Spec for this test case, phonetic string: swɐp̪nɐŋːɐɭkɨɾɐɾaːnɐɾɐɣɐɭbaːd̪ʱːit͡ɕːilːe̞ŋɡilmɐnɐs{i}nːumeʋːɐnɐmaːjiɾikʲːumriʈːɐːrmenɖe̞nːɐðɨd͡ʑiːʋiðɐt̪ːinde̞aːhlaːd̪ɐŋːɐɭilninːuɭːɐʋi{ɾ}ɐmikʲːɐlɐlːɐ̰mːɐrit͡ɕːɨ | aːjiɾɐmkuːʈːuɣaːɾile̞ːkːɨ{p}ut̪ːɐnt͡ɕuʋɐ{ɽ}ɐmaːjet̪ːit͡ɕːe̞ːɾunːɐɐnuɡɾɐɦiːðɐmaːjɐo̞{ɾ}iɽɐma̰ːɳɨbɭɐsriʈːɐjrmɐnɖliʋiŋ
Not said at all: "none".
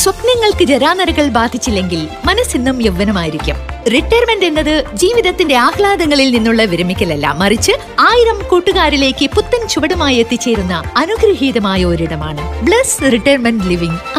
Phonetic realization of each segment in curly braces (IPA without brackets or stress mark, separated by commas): i, ɾ, p, ɽ, ɾ